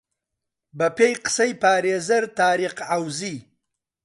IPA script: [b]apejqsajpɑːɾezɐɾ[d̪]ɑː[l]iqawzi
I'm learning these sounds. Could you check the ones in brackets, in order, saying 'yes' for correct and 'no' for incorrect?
yes, no, no

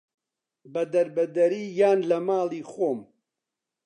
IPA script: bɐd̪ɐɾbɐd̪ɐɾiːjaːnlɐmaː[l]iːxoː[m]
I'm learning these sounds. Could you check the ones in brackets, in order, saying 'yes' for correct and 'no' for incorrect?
yes, yes

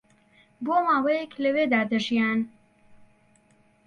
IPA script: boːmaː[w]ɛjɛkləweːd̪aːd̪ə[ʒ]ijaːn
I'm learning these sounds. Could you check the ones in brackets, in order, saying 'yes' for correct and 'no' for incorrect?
yes, yes

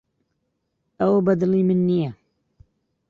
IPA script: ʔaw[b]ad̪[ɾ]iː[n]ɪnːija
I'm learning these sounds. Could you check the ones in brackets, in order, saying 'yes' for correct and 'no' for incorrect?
yes, no, no

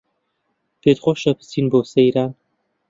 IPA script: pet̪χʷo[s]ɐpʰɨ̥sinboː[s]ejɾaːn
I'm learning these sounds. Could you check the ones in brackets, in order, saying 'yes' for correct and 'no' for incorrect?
no, yes

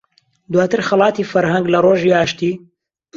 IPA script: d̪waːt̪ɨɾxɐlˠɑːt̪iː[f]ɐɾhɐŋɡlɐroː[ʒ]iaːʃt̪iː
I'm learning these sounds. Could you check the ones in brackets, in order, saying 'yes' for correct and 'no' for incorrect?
yes, yes

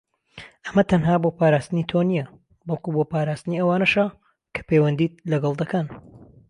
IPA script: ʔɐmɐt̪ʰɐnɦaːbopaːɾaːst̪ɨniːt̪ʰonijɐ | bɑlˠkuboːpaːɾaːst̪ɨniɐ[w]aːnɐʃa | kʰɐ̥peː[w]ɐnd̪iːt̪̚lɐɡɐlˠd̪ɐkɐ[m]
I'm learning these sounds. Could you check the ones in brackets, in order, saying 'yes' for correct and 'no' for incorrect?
yes, yes, no

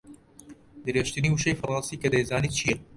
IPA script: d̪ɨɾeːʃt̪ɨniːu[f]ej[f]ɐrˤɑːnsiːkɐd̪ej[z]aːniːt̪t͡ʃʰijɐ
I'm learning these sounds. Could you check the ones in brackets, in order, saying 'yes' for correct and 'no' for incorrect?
no, yes, yes

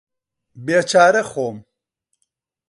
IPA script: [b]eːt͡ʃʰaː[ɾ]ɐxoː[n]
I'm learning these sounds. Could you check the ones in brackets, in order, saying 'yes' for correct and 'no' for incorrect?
yes, yes, no

